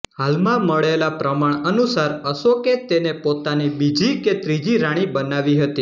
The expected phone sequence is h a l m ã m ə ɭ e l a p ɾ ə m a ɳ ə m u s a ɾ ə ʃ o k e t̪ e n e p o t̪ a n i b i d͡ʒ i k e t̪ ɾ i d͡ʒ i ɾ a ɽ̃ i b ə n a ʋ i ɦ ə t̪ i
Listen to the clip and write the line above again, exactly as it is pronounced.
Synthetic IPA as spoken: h a l m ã m ə ɭ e l a p ɾ ə m a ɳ ə n u s a ɾ ə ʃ o k e t̪ e n e p o t̪ a n i b i d͡ʒ i k e t̪ ɾ i d͡ʒ i ɾ a ɽ̃ i b ə n a ʋ i ɦ ə t̪ i